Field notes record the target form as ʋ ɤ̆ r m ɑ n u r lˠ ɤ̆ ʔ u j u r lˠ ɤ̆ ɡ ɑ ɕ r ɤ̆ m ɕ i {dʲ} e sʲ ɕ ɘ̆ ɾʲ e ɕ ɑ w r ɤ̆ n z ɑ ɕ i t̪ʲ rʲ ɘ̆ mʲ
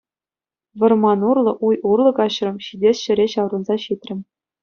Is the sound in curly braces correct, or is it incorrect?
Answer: correct